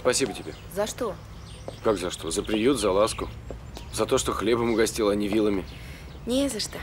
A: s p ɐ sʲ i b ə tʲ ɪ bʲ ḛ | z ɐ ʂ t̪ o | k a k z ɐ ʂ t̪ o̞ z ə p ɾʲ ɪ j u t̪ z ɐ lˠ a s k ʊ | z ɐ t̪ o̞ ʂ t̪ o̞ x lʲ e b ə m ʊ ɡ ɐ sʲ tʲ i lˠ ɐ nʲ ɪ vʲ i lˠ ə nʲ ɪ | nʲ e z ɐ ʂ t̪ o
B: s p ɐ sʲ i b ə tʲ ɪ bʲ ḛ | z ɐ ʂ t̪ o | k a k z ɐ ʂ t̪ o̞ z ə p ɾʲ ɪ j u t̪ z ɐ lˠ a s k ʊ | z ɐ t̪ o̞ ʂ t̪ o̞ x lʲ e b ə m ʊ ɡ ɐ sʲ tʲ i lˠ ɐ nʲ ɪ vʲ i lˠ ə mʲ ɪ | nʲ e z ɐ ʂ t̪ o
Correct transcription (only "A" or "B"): B